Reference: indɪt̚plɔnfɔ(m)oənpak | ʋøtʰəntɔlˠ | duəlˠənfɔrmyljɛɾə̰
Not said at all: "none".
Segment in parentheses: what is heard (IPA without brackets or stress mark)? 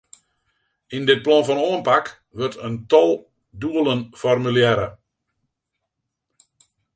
n